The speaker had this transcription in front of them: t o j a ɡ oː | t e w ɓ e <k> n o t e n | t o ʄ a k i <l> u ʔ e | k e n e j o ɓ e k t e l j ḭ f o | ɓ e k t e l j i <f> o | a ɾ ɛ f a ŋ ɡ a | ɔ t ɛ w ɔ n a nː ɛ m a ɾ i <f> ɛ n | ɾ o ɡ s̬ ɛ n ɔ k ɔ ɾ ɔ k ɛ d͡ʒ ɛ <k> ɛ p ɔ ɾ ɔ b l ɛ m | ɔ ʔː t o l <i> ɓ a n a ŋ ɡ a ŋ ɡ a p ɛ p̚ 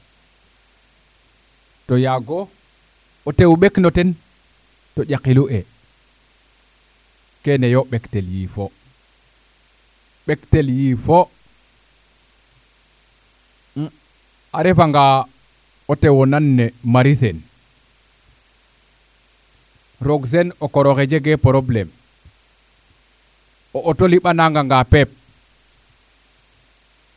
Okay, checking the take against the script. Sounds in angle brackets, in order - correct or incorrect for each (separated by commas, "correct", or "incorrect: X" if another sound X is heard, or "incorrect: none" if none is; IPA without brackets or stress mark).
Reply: correct, correct, correct, incorrect: s, incorrect: ɡ, correct